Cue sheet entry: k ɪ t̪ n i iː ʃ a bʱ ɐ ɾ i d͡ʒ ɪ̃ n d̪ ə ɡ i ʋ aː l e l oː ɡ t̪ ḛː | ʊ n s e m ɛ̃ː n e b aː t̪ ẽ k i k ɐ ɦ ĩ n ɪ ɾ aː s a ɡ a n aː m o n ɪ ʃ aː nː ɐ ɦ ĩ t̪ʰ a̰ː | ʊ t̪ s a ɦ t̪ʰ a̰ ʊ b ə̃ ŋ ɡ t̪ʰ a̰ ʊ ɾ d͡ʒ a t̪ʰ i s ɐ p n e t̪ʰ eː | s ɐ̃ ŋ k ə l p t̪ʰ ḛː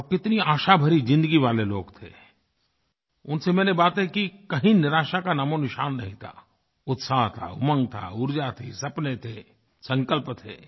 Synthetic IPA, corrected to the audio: k ɪ t̪ n i aː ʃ a bʱ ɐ ɾ i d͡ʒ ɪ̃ n d̪ ə ɡ i ʋ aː l e l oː ɡ t̪ʰ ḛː | ʊ n s e m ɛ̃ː n e b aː t̪ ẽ k i k ɐ ɦ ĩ n ɪ ɾ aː ʃ a k a n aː m o n ɪ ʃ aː nː ɐ ɦ ĩ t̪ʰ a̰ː | ʊ t̪ s a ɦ t̪ʰ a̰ ʊ m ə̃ ŋ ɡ t̪ʰ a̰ ʊ ɾ d͡ʒ a t̪ʰ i s ɐ p n e t̪ʰ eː | s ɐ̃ ŋ k ə l p t̪ʰ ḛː